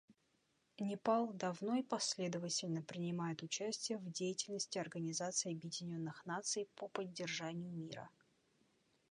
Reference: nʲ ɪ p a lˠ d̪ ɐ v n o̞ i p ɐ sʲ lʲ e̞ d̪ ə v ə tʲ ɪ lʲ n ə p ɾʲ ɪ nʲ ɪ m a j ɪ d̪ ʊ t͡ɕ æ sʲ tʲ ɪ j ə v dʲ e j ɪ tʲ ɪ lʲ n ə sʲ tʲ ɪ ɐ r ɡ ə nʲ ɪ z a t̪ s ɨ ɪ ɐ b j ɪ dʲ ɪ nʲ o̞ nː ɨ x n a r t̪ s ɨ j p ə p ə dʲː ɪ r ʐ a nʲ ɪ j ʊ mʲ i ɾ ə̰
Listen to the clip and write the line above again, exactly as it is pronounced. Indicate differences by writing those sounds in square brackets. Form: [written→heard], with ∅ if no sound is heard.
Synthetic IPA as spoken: nʲ ɪ p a lˠ d̪ ɐ v n o̞ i p ɐ sʲ lʲ e̞ d̪ ə v ə tʲ ɪ lʲ n ə p ɾʲ ɪ nʲ ɪ m a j ɪ [d̪→t̪] ʊ t͡ɕ æ sʲ tʲ ɪ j ə v dʲ e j ɪ tʲ ɪ lʲ n ə sʲ tʲ ɪ ɐ r ɡ ə nʲ ɪ z a t̪ s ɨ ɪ ɐ b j ɪ dʲ ɪ nʲ o̞ nː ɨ x n a [r→∅] t̪ s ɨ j p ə p ə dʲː ɪ r ʐ a nʲ ɪ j ʊ mʲ i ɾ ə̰